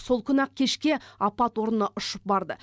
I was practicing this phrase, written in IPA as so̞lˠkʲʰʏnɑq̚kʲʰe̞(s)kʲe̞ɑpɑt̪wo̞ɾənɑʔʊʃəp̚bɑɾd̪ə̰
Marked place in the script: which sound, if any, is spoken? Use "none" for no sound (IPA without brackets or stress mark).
ʃ